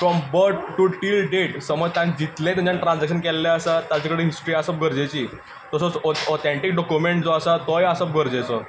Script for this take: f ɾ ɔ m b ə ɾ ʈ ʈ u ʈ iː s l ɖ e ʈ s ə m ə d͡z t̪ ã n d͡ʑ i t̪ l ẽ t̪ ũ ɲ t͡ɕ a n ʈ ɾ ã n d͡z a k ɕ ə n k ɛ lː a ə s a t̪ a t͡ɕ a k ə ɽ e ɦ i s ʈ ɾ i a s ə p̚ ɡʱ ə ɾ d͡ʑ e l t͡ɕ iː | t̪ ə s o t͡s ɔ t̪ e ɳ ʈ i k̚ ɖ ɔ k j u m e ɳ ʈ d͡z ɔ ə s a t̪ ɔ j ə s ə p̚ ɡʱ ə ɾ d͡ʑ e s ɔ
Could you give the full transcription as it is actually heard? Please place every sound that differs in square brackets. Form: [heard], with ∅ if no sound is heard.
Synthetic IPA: f ɾ ɔ m b ə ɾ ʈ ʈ u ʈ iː [∅] l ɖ e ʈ s ə m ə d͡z t̪ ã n d͡ʑ i t̪ l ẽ t̪ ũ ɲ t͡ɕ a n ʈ ɾ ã n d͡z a k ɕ ə n k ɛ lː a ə s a t̪ a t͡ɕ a k ə ɽ e ɦ i s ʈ ɾ i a s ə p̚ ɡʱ ə ɾ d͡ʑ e [∅] t͡ɕ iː | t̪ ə s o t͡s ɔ t̪ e ɳ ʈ i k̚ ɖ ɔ k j u m e ɳ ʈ d͡z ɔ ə s a t̪ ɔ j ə s ə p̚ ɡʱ ə ɾ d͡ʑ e [t͡s] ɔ

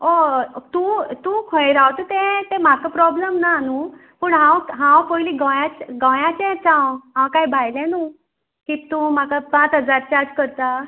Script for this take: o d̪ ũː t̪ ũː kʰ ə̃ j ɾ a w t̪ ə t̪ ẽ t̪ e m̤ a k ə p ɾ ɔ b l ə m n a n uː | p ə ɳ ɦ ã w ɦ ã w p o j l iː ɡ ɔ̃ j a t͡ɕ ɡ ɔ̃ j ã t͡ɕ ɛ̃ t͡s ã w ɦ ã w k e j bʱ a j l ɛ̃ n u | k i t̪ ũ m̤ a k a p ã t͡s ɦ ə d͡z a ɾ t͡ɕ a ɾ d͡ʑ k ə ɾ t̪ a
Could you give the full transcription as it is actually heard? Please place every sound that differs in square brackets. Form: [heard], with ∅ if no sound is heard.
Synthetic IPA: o [t̪] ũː t̪ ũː kʰ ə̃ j ɾ a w t̪ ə t̪ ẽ t̪ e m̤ a k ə p ɾ ɔ b l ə m n a n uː | p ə ɳ ɦ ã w ɦ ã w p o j l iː ɡ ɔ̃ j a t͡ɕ ɡ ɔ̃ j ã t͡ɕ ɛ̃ t͡s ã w ɦ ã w k [a] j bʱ a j l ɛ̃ n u | k i t̪ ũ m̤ a k a p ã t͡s ɦ ə d͡z a ɾ t͡ɕ a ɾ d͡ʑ k ə ɾ t̪ a

